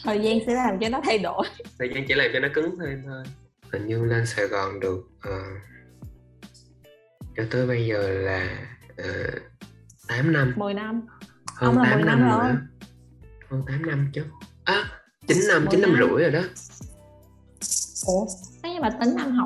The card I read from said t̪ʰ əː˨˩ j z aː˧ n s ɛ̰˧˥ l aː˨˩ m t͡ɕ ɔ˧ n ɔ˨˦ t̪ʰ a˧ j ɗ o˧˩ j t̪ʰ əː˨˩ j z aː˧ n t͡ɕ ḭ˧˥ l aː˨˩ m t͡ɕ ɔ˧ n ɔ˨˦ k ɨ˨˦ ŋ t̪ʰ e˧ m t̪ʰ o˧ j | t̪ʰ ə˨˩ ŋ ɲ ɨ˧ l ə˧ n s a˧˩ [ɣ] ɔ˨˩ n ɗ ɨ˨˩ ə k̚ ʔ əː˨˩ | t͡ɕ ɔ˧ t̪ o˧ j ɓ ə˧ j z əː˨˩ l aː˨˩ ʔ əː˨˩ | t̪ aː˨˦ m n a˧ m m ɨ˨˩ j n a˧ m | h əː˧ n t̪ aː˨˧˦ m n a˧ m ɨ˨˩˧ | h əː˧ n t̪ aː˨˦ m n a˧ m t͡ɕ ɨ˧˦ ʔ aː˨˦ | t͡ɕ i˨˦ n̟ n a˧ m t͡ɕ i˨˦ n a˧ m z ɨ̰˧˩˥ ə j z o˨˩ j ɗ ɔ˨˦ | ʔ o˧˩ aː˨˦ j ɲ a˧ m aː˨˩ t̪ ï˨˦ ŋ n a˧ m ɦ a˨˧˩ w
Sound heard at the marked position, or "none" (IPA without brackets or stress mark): ɣ